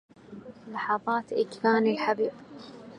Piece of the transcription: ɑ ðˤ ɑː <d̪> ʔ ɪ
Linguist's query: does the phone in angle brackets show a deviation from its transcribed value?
yes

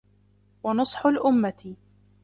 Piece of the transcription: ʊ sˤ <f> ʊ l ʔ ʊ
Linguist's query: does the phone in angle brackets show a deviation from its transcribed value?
yes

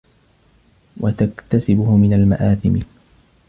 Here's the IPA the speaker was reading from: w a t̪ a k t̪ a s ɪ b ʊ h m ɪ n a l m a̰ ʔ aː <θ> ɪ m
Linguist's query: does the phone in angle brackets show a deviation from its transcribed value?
no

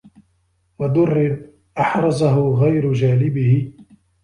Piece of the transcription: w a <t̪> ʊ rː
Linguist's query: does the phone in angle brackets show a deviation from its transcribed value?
yes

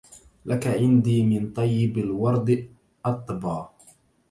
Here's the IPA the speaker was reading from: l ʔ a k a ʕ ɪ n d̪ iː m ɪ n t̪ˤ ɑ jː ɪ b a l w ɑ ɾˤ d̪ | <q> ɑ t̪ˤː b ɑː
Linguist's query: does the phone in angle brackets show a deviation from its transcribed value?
yes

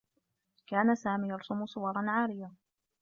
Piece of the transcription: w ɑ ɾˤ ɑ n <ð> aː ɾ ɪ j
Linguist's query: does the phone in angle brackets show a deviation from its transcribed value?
yes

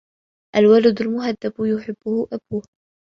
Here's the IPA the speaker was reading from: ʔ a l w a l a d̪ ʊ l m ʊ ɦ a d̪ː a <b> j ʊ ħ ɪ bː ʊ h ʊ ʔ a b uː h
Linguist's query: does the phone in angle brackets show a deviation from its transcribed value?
no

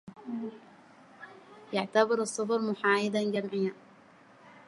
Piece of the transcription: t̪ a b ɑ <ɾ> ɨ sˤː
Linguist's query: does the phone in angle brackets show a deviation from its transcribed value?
no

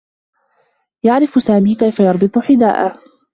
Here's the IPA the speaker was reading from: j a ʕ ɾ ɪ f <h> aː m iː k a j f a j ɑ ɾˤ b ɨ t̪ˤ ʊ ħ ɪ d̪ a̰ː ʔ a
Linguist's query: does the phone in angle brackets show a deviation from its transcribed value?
yes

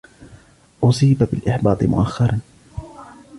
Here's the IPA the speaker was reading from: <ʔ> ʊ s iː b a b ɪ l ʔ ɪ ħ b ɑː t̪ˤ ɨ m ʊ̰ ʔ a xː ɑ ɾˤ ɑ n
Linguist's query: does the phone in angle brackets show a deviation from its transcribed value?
no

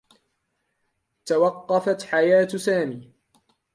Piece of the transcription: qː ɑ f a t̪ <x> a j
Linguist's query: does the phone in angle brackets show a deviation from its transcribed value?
yes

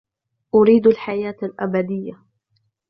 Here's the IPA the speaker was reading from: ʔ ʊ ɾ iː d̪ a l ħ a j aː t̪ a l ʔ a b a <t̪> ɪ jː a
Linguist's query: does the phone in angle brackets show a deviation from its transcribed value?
yes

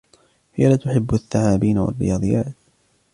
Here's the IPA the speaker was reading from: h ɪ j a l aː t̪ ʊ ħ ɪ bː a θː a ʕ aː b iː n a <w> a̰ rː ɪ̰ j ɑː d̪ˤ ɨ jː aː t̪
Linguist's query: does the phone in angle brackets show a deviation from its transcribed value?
no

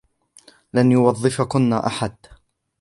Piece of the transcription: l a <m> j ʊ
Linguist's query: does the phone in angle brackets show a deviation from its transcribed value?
yes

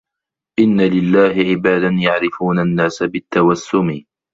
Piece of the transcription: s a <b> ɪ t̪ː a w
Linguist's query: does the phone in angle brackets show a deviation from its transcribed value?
no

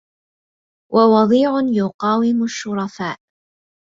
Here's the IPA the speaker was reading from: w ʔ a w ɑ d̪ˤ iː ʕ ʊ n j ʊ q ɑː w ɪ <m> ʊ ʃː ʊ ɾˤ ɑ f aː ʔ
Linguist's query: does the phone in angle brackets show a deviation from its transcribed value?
no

